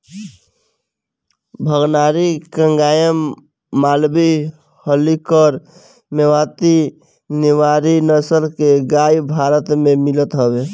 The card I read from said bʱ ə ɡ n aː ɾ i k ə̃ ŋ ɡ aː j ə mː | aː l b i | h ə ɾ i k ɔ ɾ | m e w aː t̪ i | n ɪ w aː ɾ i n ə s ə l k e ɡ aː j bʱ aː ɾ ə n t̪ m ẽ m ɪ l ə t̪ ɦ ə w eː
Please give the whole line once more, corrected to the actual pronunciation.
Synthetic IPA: bʱ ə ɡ n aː ɾ i k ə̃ ŋ ɡ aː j ə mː | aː l b i | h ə l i k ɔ ɾ | m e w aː t̪ i | n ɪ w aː ɾ i n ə s ə l k e ɡ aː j bʱ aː ɾ ə t̪ m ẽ m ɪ l ə t̪ ɦ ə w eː